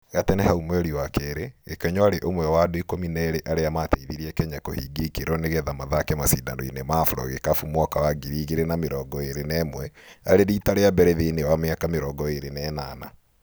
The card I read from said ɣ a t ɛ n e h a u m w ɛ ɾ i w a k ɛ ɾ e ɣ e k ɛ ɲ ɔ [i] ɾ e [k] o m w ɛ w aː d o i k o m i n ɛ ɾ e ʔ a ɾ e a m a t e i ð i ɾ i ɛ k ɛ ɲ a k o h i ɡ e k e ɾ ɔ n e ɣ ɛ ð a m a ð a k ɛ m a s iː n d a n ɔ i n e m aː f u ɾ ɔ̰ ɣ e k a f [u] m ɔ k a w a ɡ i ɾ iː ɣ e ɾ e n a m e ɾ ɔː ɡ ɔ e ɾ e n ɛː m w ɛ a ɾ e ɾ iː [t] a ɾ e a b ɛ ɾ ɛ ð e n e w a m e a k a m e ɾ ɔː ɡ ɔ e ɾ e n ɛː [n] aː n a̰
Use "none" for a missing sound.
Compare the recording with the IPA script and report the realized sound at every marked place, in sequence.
a, ʔ, u, t, n

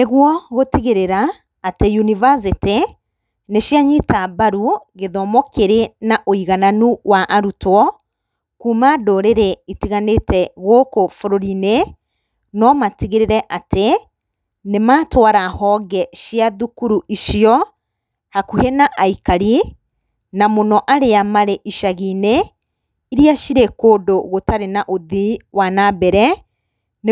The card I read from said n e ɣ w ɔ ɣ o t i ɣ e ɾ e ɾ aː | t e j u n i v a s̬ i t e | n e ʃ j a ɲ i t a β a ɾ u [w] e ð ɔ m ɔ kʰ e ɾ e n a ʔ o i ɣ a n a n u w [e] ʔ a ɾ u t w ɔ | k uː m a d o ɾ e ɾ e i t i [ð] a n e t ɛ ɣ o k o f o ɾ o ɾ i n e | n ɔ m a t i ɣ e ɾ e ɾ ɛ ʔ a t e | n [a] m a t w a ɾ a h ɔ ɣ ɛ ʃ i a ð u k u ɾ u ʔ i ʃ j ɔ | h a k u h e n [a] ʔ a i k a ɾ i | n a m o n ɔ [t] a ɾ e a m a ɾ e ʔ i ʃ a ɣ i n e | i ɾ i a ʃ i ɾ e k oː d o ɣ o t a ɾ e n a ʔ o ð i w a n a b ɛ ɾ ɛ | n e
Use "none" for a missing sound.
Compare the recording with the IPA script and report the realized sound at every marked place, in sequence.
ɣ, a, ɣ, e, a, ʔ

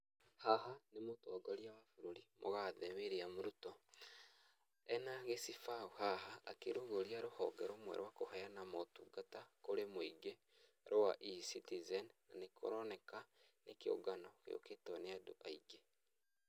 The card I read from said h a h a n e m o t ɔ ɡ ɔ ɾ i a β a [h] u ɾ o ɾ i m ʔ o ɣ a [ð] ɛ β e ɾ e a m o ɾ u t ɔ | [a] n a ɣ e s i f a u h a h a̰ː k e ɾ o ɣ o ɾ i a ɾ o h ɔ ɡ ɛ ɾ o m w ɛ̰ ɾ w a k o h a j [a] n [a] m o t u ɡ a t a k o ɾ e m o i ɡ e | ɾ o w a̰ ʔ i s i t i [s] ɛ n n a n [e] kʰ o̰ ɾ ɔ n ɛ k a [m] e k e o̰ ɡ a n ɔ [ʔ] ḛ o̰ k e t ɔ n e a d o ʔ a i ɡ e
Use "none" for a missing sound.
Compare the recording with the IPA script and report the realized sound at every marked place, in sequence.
f, ð, ɛ, a, a, z, e, n, k

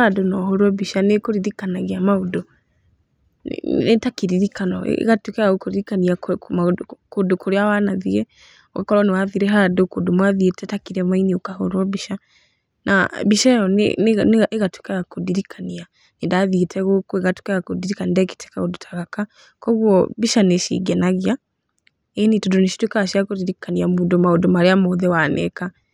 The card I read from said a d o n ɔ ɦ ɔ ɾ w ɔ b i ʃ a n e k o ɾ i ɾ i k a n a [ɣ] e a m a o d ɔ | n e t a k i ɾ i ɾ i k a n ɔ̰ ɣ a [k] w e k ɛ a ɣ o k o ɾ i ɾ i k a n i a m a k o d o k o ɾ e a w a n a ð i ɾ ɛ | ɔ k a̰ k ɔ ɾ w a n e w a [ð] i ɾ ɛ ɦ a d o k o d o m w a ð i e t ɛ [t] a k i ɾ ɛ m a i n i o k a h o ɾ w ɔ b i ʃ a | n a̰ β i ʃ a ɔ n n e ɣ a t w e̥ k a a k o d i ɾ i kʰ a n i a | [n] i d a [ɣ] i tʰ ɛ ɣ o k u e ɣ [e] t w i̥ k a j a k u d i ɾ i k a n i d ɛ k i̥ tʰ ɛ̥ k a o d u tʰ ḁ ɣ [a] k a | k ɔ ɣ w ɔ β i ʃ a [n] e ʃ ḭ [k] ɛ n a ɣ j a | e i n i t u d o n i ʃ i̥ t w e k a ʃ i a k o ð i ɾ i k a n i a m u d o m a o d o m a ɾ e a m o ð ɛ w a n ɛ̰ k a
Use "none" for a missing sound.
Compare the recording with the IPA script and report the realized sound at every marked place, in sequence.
ɣ, t, ð, t, n, ð, a, a, n, ɡ

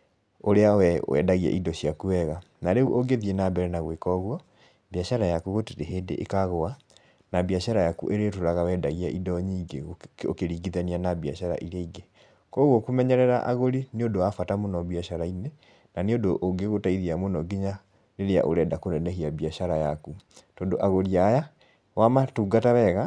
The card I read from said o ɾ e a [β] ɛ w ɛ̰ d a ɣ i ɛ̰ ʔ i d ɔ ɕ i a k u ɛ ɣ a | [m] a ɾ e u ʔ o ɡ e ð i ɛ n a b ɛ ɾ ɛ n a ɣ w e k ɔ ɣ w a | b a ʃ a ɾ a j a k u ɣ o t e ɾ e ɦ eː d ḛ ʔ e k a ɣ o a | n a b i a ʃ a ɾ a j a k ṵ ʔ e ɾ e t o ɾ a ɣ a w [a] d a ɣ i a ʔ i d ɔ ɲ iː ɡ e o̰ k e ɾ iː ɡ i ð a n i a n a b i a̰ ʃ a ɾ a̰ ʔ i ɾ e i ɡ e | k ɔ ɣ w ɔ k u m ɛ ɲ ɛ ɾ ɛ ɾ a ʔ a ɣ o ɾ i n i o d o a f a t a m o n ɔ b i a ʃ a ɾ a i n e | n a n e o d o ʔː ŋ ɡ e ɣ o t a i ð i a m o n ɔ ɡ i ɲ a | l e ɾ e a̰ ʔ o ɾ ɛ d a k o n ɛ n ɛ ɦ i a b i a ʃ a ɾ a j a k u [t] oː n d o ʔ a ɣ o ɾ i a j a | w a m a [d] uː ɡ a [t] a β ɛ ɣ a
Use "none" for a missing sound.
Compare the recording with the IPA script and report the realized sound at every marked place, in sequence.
w, n, ɛ, t, t, t

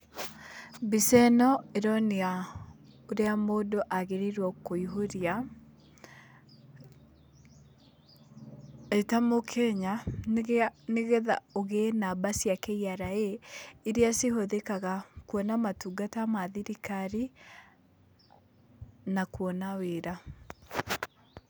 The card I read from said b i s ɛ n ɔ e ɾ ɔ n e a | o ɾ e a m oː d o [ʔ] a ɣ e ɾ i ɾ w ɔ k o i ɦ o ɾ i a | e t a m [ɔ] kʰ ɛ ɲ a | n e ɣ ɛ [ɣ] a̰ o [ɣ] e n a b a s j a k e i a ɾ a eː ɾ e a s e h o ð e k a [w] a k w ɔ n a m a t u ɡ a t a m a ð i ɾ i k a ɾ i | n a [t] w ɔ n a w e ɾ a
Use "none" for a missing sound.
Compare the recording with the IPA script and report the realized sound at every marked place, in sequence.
ʔ, o, ð, ɣ, ɣ, k

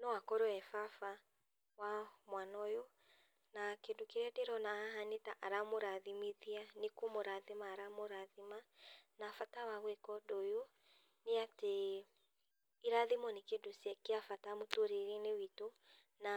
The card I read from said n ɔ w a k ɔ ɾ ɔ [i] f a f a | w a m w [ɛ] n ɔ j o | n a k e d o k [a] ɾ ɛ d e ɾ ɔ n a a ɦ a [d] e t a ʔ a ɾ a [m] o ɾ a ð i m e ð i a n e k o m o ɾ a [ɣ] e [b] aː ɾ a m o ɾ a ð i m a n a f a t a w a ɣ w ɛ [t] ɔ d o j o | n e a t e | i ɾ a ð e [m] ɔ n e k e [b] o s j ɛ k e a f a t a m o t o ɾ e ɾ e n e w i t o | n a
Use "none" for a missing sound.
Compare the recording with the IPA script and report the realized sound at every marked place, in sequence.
ɛ, a, e, n, m, ð, m, k, m, d

